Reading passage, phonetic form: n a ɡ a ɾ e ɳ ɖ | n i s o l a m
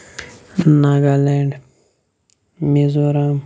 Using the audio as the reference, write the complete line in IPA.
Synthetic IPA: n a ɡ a l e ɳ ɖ | m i z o ɾ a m